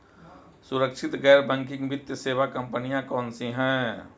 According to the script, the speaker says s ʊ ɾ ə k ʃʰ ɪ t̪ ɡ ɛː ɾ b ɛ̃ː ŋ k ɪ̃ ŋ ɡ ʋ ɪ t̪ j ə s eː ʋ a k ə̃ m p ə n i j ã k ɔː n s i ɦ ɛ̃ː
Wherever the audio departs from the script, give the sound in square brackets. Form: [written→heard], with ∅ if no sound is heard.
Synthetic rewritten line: s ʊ ɾ ə k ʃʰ ɪ t̪ ɡ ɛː ɾ b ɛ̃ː ŋ k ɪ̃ ŋ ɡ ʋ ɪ t̪ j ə s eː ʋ a k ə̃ m p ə n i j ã k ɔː n s i ɦ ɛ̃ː

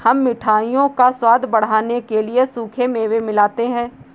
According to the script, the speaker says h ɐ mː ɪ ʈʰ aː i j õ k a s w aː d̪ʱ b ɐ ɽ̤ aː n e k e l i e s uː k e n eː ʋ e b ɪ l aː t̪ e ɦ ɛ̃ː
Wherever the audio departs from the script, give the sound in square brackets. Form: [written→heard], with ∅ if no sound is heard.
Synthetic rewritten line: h ɐ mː ɪ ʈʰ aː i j õ k a s w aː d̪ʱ b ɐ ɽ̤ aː n e k e l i e s uː [k→kʰ] e [n→m] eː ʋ e [b→m] ɪ l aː t̪ e ɦ ɛ̃ː

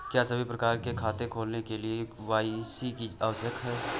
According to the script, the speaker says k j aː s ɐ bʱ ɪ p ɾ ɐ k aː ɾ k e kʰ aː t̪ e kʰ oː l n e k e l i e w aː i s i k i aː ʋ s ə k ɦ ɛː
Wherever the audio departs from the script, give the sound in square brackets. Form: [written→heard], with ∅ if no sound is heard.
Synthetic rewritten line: k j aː s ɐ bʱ [ɪ→i] p ɾ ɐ k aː ɾ k e kʰ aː t̪ e kʰ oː l n e k e l i e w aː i s i k i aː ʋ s ə k ɦ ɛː

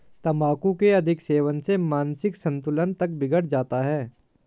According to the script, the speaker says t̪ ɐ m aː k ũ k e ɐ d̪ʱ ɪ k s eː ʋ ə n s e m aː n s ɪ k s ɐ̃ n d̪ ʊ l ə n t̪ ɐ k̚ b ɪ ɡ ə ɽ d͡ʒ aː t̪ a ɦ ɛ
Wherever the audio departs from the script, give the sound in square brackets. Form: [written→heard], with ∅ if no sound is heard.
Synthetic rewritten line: t̪ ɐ m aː k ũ k e ɐ d̪ʱ ɪ k s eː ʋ ə n s e m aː n s ɪ k s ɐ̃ n [d̪→t̪] ʊ l ə n t̪ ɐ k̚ b ɪ ɡ ə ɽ d͡ʒ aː t̪ a ɦ [ɛ→ɛː]

